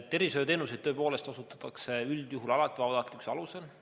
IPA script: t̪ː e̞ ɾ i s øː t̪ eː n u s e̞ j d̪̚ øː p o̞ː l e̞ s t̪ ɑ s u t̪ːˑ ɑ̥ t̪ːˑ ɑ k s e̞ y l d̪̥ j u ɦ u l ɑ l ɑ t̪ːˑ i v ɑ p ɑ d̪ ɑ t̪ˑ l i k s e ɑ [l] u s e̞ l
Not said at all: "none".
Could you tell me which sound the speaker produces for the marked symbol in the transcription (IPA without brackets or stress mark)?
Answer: l